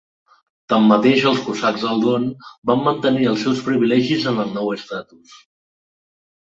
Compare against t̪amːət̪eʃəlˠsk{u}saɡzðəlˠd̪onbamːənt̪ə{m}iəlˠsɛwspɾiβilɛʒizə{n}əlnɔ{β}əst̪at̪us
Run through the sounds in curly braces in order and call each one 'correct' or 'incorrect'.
correct, incorrect: n, correct, incorrect: w

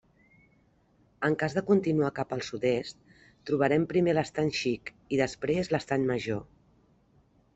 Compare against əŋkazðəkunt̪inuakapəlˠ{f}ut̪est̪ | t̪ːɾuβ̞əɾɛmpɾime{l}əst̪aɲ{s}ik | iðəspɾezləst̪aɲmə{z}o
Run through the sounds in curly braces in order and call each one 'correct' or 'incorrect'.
incorrect: s, correct, incorrect: ʃ, incorrect: ʒ

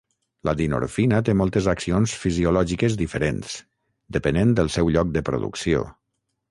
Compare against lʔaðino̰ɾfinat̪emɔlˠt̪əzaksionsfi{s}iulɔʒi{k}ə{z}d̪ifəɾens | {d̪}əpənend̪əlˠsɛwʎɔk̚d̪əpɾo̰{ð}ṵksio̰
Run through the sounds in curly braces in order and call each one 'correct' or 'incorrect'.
incorrect: z, correct, correct, correct, correct

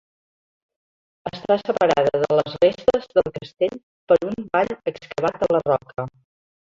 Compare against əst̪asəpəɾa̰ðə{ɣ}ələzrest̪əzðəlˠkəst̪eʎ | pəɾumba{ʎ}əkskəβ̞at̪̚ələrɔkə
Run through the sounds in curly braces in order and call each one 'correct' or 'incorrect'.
incorrect: ð, correct

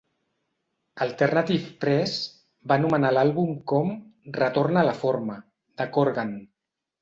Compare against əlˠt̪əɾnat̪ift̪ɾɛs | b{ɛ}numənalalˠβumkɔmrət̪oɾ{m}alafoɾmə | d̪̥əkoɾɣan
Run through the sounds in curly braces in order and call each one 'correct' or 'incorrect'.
incorrect: a, incorrect: n

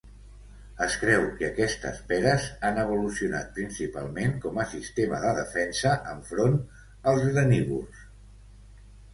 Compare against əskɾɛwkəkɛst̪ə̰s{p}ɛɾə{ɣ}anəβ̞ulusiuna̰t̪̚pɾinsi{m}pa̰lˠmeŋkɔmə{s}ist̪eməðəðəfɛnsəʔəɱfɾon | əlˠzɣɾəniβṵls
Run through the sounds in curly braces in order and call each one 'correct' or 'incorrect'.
correct, incorrect: z, incorrect: none, correct

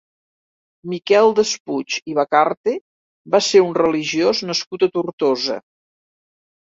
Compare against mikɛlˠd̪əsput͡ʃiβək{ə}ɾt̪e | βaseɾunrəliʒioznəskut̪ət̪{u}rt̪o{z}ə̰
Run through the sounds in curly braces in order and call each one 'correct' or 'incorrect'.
incorrect: a, correct, correct

